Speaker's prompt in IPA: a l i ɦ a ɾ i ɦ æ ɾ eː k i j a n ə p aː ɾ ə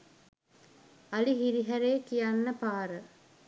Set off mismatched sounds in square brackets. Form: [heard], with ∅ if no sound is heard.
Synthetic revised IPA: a l i ɦ [i] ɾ i ɦ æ ɾ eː k i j a [nː] ə p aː ɾ ə